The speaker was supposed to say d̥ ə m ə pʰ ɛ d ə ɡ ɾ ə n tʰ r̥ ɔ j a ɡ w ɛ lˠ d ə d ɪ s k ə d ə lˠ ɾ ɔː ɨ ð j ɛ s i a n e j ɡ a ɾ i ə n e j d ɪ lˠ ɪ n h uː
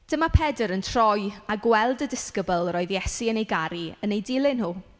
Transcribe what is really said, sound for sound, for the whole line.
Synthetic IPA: d̥ ə m a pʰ ɛ d ə ɾ ə n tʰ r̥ ɔ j a ɡ w ɛ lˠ d ə d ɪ s k ə b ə lˠ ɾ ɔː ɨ ð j ɛ s i ə n e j ɡ a ɾ i ə n e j d ɪ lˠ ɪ n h uː